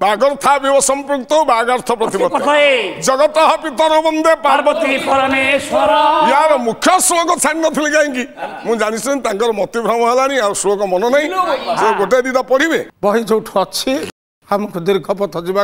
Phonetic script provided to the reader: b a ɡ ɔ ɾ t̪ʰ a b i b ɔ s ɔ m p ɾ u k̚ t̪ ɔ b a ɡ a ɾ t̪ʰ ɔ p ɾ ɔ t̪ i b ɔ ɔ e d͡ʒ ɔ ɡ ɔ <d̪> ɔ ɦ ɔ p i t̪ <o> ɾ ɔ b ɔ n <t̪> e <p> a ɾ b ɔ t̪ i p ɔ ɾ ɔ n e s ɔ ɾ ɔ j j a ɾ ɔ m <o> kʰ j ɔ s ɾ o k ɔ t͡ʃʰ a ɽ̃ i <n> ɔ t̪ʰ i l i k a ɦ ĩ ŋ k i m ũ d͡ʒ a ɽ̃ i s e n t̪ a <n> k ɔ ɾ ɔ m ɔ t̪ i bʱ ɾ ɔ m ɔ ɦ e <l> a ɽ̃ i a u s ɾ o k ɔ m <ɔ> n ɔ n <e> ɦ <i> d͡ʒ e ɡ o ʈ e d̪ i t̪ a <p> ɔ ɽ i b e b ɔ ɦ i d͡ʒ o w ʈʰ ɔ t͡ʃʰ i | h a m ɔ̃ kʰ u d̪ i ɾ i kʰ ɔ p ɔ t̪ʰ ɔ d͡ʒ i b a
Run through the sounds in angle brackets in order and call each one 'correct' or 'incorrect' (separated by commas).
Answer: incorrect, incorrect, incorrect, correct, incorrect, correct, incorrect, correct, correct, incorrect, incorrect, correct